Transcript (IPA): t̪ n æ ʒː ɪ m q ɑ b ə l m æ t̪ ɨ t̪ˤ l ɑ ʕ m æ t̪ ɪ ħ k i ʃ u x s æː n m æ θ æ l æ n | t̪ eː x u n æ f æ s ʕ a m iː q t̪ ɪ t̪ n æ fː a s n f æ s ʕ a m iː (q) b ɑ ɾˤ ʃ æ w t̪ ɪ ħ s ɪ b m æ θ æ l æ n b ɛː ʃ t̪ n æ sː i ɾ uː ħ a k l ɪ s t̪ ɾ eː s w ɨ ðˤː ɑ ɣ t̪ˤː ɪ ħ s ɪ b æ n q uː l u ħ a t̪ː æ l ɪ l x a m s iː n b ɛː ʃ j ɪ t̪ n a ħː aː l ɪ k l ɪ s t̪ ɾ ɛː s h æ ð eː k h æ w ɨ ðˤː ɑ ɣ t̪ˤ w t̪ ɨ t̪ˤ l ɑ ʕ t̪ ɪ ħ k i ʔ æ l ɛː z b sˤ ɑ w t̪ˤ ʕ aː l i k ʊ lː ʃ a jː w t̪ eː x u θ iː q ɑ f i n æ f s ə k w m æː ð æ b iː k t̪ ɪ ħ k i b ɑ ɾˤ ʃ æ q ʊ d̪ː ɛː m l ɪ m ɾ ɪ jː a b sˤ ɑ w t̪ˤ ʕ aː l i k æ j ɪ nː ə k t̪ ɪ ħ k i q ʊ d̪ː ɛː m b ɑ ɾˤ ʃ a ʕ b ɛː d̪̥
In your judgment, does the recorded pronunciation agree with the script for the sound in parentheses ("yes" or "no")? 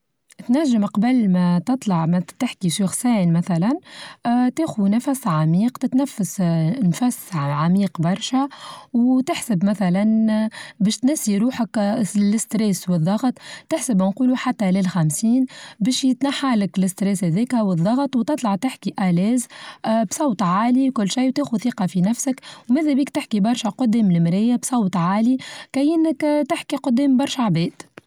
yes